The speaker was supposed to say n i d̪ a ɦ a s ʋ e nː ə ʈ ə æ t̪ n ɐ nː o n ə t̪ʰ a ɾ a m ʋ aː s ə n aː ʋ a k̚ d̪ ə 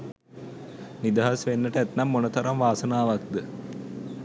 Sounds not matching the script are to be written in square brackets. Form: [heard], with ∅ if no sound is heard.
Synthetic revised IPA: n i d̪ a ɦ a s ʋ e nː ə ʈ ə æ t̪ n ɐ [mː] o n ə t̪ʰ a ɾ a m ʋ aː s ə n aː ʋ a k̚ d̪ ə